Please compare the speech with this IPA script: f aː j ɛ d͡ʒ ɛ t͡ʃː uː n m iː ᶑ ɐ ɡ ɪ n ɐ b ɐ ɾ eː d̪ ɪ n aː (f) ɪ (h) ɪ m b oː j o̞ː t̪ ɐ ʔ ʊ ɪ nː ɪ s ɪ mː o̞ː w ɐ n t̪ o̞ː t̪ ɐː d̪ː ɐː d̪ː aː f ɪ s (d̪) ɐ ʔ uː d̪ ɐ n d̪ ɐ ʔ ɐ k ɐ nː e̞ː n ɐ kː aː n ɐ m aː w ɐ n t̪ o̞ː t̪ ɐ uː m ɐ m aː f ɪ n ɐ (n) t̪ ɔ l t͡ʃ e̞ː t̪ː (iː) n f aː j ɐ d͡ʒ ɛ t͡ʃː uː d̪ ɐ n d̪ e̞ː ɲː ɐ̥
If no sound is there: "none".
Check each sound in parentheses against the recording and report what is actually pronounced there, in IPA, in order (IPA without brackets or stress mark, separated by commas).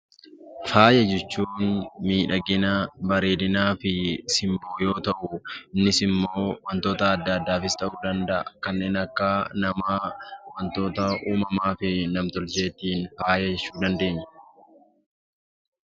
f, s, t̪, m, iː